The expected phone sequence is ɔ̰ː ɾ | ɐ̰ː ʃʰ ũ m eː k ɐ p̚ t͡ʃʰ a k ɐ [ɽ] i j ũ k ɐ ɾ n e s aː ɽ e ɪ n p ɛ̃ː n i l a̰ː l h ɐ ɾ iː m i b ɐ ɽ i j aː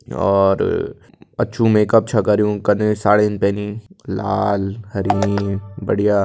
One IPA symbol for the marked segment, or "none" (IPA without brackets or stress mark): ɾ